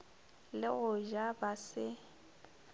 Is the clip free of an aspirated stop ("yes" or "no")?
yes